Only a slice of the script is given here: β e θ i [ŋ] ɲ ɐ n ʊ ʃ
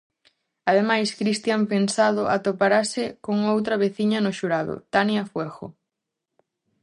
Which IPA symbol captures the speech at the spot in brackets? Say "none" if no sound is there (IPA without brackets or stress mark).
none